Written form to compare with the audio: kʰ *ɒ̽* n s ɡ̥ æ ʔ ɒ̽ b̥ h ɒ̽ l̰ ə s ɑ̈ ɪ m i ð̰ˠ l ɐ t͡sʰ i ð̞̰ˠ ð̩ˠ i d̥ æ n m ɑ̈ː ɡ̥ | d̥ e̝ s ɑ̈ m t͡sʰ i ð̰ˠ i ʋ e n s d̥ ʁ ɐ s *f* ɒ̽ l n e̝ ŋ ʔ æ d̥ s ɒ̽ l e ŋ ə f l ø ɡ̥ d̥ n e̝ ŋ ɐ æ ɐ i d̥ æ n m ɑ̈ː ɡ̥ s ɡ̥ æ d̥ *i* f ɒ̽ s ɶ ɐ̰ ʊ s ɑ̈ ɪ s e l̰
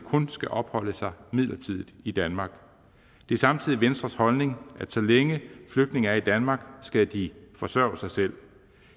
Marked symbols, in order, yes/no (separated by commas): no, no, yes